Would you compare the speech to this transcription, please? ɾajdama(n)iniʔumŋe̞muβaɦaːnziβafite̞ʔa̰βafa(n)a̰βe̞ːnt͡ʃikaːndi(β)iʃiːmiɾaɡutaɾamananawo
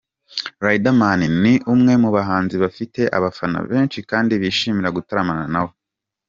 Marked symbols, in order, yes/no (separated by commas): yes, yes, yes